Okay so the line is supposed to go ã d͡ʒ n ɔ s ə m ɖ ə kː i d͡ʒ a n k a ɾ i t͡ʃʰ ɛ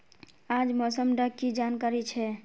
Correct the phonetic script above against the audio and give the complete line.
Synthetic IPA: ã d͡ʒ m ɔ s ə m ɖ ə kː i d͡ʒ a n k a ɾ i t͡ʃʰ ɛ

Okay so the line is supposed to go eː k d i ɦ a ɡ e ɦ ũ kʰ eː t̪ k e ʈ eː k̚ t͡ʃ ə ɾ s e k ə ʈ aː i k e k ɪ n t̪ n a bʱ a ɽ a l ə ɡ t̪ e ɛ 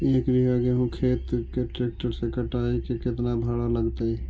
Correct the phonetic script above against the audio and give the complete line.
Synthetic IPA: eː k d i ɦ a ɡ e ɦ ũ kʰ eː t̪ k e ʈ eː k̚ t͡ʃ ə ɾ s e k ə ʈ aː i k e k ɪ t̪ n a bʱ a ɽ a l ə ɡ t̪ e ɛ

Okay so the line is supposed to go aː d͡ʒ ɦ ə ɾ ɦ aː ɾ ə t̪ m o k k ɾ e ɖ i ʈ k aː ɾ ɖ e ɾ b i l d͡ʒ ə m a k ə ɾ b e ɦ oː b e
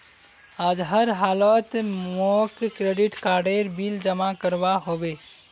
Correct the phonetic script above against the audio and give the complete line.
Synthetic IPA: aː d͡ʒ ɦ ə ɾ ɦ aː l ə t̪ m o k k ɾ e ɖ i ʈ k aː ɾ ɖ e ɾ b i l d͡ʒ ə m a k ə ɾ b a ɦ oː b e

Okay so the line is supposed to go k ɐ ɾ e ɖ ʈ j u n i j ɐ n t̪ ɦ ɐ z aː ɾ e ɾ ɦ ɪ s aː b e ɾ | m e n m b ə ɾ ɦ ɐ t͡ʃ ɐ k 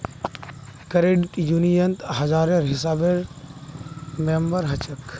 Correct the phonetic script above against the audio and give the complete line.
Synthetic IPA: k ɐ ɾ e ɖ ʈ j u n i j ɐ n t̪ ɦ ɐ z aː ɾ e ɾ ɦ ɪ s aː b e ɾ | m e m b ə ɾ ɦ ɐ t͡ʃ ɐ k

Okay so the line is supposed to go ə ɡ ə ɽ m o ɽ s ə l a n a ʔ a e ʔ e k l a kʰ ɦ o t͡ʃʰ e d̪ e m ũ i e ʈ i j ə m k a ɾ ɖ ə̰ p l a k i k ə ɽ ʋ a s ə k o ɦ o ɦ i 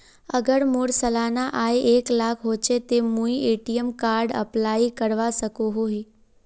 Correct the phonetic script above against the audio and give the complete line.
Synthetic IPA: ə ɡ ə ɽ m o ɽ s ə l a n a ʔ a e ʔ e k l a kʰ ɦ o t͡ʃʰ e t̪ e m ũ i e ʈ i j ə m k a ɾ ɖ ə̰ p l a i k ə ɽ ʋ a s ə k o ɦ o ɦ i

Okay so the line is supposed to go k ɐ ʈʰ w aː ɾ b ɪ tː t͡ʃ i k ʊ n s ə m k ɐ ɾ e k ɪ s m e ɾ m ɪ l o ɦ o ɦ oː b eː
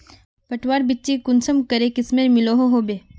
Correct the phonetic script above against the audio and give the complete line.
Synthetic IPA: p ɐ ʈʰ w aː ɾ b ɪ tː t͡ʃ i k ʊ n s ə m k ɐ ɾ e k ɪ s m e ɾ m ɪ l o ɦ o ɦ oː b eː

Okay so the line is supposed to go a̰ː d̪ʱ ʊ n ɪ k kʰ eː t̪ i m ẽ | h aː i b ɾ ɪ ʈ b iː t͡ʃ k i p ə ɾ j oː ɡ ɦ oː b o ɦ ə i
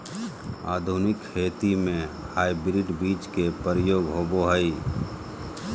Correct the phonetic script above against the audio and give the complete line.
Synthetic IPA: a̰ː d̪ʱ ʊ n ɪ k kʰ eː t̪ i m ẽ | h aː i b ɾ ɪ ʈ b iː t͡ʃ k e p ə ɾ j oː ɡ ɦ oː b o ɦ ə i

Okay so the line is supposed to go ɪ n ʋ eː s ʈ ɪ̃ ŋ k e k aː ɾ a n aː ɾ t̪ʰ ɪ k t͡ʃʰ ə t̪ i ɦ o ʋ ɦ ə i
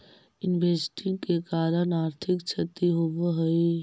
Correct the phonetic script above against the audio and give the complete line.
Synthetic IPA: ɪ n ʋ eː s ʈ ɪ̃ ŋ k e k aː ɾ ə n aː ɾ t̪ʰ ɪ k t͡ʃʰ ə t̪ i ɦ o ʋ ɦ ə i

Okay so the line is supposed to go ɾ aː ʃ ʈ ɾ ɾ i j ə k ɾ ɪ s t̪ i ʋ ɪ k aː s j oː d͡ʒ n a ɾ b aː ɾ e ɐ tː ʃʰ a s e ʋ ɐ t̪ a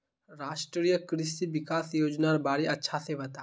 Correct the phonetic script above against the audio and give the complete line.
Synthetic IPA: ɾ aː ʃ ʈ ɾ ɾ i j ə k ɾ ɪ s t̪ i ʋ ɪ k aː s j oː d͡ʒ n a ɾ b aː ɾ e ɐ tː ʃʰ a s e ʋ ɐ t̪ a

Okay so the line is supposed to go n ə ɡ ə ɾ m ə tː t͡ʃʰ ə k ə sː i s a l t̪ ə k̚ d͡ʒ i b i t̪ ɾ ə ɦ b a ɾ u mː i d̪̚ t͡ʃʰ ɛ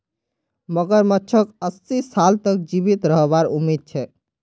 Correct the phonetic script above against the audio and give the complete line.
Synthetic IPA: m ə ɡ ə ɾ m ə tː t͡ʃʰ ə k ə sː i s a l t̪ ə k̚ d͡ʒ i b i t̪ ɾ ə ɦ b a ɾ u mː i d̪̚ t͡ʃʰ ɛ

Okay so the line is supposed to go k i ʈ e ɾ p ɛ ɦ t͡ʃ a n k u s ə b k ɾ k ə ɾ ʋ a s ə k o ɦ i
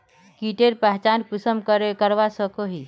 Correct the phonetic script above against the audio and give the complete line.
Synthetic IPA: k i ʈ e ɾ p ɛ ɦ t͡ʃ a n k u s ə m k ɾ k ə ɾ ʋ a s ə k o ɦ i

